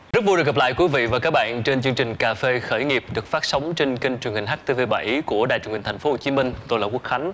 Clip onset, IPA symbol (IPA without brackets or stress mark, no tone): z